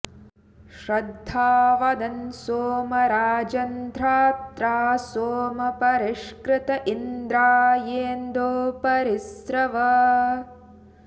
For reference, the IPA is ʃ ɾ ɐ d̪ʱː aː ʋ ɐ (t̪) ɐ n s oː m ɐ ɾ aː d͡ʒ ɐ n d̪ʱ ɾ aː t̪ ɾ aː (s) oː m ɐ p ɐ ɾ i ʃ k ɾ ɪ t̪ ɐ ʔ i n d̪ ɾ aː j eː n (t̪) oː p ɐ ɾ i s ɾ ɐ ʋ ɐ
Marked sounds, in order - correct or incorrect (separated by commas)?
incorrect, correct, incorrect